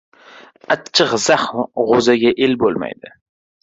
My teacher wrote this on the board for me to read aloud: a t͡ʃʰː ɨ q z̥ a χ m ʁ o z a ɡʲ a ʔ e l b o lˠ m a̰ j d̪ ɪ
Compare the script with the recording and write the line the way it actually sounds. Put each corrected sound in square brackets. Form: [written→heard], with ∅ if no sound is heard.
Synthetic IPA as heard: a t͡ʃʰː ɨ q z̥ a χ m ʁ o z a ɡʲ a ʔ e l b o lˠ m a̰ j d̪ ɪ